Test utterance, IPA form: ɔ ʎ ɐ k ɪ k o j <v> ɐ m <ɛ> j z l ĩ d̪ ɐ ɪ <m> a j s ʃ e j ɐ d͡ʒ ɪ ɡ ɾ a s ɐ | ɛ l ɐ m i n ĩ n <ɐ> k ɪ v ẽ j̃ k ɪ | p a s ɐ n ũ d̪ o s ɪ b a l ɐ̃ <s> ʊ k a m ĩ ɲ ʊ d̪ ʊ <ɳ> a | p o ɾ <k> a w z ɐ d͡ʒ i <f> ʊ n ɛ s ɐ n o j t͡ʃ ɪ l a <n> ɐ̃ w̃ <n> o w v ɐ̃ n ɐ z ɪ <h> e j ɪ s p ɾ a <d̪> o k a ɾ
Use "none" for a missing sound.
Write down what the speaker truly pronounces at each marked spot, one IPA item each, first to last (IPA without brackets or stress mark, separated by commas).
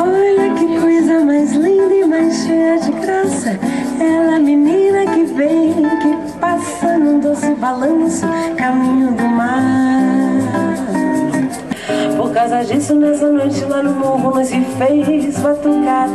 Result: z, a, m, ɐ, s, m, k, s, n, m, f, t̪